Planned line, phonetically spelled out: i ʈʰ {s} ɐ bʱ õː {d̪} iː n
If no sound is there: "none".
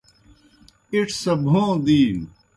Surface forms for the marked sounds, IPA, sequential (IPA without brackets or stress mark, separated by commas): s, d̪